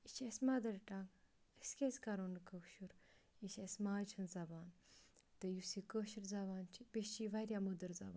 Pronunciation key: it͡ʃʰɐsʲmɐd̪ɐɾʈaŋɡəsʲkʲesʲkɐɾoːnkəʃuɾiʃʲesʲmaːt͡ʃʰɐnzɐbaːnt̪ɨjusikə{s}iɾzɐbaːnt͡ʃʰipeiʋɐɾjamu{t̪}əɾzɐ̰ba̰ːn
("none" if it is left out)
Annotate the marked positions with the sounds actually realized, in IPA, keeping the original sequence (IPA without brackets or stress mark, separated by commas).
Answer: ʃ, d̪